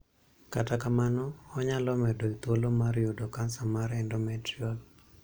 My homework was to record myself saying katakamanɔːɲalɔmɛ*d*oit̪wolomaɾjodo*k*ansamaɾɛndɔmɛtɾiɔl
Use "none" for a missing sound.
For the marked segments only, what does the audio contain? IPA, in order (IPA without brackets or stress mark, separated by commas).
d, k